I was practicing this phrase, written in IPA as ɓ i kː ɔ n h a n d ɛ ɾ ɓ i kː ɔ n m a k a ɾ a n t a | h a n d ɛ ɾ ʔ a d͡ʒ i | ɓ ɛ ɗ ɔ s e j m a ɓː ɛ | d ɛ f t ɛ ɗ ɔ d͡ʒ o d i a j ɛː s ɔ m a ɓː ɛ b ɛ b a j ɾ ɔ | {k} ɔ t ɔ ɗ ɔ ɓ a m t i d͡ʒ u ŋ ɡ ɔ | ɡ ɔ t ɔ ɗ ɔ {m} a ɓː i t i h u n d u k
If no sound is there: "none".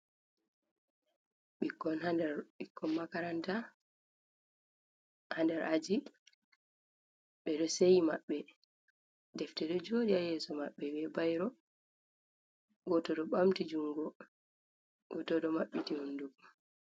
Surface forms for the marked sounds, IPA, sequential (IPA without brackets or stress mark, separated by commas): ɡ, m